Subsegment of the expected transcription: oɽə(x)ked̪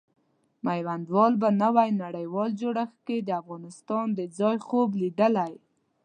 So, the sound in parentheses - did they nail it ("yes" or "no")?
yes